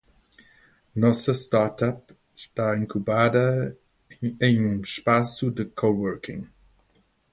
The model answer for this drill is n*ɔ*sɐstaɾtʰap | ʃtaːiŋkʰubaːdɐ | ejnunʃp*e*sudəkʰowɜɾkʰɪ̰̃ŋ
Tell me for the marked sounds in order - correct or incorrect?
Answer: correct, incorrect

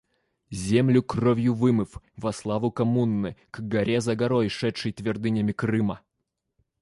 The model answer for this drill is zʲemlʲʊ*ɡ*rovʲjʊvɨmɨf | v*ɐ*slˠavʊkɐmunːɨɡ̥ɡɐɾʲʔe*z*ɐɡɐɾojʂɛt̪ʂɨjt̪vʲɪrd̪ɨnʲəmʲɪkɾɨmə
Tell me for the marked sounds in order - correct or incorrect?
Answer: incorrect, correct, correct

